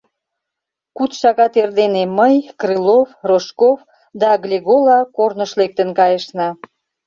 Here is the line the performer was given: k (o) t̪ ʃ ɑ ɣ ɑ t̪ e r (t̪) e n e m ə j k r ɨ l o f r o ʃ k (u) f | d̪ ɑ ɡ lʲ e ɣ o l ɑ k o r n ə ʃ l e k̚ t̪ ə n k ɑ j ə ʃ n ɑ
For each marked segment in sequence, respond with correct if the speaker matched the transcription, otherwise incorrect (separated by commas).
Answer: incorrect, incorrect, incorrect